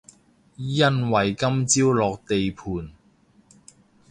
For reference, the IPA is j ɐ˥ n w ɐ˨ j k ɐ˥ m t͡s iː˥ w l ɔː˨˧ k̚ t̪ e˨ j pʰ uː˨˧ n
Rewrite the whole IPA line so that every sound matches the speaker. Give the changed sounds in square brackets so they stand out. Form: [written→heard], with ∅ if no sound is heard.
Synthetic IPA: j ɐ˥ n w ɐ˨ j k ɐ˥ m t͡s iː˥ w l ɔː˨˧ k̚ t̪ e˨ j pʰ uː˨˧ n